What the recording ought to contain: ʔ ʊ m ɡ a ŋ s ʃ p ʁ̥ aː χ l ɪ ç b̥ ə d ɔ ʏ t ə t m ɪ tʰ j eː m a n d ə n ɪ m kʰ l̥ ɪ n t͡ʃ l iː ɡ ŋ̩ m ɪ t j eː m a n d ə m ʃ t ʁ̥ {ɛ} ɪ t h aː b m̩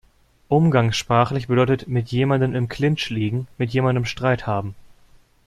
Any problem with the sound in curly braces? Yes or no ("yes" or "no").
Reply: yes